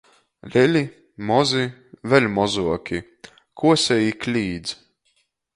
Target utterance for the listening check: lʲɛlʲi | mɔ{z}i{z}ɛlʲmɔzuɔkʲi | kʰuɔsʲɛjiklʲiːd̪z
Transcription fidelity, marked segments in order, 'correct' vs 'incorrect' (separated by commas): correct, incorrect